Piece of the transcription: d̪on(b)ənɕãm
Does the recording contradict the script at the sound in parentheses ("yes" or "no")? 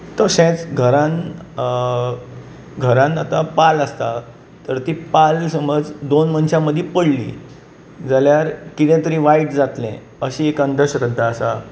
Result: yes